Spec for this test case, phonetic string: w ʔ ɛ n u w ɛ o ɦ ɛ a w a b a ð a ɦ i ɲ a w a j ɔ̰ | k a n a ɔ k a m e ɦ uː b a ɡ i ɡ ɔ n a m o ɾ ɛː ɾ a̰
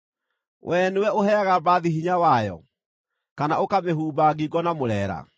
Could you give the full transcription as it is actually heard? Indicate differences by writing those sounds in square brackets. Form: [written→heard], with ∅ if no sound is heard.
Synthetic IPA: w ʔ ɛ n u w ɛ o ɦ ɛ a [w→ɣ] a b a ð [a→i] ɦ i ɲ a w a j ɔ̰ | k a n a [ɔ→o] k a m e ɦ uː b a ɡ i ɡ ɔ n a m o ɾ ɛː ɾ a̰